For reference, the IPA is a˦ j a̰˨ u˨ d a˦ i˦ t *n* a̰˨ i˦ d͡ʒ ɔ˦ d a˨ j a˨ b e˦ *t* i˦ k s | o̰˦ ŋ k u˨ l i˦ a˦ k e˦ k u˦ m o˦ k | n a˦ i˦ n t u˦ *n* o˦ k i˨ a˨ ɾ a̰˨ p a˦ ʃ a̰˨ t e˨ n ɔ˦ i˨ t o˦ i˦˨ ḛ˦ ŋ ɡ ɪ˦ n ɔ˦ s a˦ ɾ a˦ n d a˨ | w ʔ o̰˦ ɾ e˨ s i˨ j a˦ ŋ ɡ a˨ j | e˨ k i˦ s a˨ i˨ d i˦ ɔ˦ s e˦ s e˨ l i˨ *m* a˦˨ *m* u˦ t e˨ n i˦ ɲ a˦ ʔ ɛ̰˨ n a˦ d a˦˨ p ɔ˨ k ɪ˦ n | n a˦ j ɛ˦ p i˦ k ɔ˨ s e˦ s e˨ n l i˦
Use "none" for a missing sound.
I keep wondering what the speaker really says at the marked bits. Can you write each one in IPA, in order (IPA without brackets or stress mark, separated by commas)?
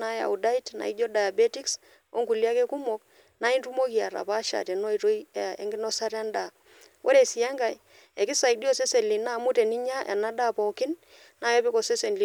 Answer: n, t, m, n, m